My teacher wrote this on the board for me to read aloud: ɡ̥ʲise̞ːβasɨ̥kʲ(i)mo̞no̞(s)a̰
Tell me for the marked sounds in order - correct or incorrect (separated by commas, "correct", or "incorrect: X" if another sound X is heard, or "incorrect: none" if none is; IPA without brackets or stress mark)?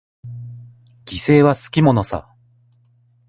correct, correct